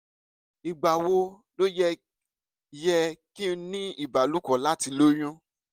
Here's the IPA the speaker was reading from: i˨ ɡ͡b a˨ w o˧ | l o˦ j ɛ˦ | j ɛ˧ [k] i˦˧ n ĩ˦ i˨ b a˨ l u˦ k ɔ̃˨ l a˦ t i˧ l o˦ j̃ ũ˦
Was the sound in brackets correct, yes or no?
yes